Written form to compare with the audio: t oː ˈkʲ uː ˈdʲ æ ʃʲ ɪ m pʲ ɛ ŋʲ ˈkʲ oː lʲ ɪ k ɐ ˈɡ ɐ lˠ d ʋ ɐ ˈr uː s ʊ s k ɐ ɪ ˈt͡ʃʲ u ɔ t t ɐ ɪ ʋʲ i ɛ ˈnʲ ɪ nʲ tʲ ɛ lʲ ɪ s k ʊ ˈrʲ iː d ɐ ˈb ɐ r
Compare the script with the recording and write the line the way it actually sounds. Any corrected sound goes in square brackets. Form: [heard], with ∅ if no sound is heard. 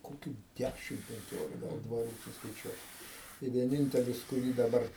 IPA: [k] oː ˈkʲ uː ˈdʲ æ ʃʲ ɪ m pʲ ɛ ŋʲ ˈkʲ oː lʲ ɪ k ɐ ˈɡ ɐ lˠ d ʋ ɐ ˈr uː s ʊ s k ɐ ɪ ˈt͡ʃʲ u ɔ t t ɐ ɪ ʋʲ i ɛ ˈnʲ ɪ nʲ tʲ ɛ lʲ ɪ s k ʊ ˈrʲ iː d ɐ ˈb ɐ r